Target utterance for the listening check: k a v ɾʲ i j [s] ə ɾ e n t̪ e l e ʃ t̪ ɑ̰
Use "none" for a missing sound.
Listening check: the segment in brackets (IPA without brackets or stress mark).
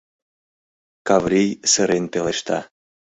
s